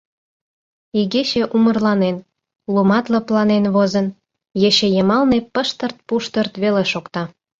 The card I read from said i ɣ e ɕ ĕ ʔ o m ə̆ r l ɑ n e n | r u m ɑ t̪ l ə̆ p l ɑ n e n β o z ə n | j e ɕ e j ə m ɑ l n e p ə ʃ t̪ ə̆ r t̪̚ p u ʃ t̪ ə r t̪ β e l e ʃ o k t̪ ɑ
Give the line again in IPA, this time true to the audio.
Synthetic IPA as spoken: i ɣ e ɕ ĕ ʔ u m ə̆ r l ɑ n e n | l u m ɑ t̪ l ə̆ p l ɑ n e n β o z ə n | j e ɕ e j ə m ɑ l n e p ə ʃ t̪ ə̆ r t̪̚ p u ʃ t̪ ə r t̪ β e l e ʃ o k t̪ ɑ